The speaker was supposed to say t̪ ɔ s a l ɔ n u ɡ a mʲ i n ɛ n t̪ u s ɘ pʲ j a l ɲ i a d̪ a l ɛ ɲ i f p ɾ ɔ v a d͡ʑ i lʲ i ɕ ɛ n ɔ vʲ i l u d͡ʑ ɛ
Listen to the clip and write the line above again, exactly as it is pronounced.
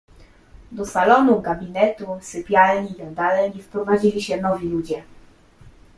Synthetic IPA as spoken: d̪ ɔ s a l ɔ n u ɡ a bʲ i n ɛ t̪ u s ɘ pʲ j a l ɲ i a d̪ a l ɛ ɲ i f p ɾ ɔ v a d͡ʑ i lʲ i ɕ ɛ n ɔ vʲ i l u d͡ʑ ɛ